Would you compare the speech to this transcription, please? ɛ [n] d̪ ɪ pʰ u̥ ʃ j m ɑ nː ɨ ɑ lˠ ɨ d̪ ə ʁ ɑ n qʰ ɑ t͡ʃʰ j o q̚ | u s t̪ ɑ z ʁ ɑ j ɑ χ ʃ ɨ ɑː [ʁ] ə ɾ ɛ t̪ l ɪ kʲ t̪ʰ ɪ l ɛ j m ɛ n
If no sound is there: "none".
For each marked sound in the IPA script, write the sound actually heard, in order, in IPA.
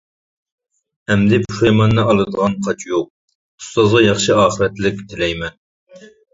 m, χ

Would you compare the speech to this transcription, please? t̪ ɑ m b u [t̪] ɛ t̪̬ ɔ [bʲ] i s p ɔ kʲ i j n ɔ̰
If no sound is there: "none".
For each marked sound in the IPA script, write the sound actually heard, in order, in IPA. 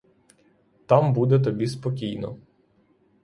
d̪, bʲ

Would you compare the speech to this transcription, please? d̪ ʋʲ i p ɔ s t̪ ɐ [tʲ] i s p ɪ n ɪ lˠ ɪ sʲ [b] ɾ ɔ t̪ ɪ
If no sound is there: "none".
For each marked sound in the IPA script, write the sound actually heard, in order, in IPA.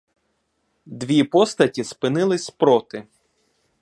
tʲ, p

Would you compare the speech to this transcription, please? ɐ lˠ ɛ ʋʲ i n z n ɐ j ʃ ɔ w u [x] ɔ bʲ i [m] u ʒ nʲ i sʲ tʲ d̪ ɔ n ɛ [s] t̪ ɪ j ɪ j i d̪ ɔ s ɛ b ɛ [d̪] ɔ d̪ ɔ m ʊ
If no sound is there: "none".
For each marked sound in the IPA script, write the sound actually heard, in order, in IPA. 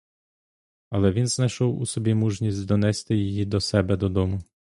s, m, s, d̪

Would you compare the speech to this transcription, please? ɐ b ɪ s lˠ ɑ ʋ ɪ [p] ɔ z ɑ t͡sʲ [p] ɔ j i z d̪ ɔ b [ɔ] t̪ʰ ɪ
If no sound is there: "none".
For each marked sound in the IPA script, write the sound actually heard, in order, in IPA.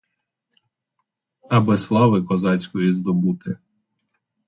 k, k, u

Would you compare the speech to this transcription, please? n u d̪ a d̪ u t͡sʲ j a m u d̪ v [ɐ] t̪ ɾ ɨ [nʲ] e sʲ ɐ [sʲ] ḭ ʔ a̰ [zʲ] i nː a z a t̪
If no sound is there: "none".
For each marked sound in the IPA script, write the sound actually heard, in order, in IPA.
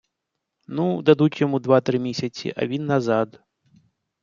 a, mʲ, t͡sʲ, vʲ

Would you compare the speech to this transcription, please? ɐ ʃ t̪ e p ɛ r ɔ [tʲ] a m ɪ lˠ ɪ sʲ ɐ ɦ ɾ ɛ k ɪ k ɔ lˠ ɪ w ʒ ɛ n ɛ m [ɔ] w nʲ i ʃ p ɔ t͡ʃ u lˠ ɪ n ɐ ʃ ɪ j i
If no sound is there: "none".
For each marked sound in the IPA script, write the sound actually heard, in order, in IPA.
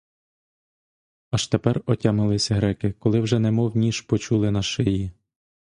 tʲ, ɔ

